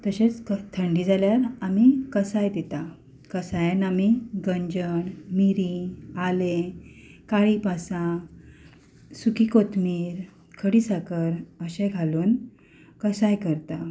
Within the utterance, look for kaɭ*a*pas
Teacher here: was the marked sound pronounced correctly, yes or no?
no